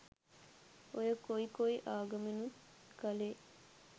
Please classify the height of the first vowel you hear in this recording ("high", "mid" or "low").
mid